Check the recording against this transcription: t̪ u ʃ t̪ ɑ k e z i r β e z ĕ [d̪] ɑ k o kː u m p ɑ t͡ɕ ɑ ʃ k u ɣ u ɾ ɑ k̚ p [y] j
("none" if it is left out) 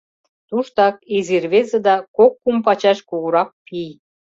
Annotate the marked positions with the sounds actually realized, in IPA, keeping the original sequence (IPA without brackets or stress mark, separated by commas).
d̪, i